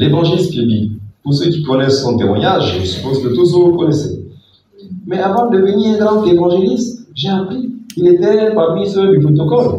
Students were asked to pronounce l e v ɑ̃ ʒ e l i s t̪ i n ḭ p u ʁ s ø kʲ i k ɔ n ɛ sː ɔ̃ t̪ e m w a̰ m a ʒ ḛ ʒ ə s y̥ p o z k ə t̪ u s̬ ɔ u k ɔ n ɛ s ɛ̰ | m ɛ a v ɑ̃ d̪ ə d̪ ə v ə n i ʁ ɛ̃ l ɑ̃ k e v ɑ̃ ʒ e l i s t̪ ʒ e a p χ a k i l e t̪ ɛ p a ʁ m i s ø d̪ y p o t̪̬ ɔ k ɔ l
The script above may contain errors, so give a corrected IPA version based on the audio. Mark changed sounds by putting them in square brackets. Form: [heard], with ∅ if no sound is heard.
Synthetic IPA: l e v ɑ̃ ʒ e l i s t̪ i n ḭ p u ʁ s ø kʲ i k ɔ n ɛ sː ɔ̃ t̪ e m w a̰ [ɲ] a ʒ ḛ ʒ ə s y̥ p o z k ə t̪ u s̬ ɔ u k ɔ n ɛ s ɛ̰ | m ɛ a v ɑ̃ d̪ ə d̪ ə v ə n i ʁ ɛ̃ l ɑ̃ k e v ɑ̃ ʒ e l i s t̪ ʒ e a p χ [i] k i l e t̪ ɛ p a ʁ m i s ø d̪ y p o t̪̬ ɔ k ɔ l